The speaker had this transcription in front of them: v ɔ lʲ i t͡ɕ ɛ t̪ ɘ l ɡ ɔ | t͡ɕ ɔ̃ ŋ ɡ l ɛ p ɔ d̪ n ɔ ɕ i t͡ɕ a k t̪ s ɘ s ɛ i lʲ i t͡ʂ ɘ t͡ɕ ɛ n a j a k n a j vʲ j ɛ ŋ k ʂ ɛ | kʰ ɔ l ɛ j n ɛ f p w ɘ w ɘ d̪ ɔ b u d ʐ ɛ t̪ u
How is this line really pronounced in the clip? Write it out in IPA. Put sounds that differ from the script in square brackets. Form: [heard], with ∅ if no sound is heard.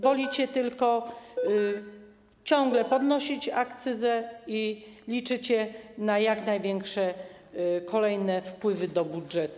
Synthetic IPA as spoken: v ɔ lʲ i t͡ɕ ɛ t̪ ɘ l [k] ɔ | t͡ɕ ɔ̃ ŋ ɡ l ɛ p ɔ d̪ n ɔ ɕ i t͡ɕ a k t̪ s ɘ [z] ɛ i lʲ i t͡ʂ ɘ t͡ɕ ɛ n a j a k n a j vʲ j ɛ ŋ k ʂ ɛ | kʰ ɔ l ɛ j n ɛ f p w ɘ [v] ɘ d̪ ɔ b u d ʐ ɛ t̪ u